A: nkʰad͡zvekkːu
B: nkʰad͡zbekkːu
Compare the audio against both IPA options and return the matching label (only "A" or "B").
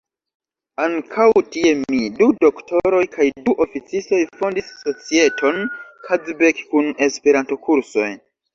B